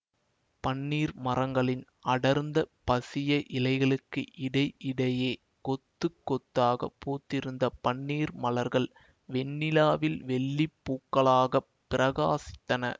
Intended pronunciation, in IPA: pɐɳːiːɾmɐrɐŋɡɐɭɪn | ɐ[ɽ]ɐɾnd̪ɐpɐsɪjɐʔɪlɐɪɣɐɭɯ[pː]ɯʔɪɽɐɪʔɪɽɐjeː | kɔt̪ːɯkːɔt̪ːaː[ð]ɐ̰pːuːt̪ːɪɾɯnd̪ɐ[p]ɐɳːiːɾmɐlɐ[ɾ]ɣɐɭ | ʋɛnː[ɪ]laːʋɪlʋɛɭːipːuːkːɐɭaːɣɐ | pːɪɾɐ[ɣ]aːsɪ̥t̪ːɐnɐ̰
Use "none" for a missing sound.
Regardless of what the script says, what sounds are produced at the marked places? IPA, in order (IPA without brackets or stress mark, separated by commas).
ɽ, kː, ɣ, p, ɾ, ɪ, ɣ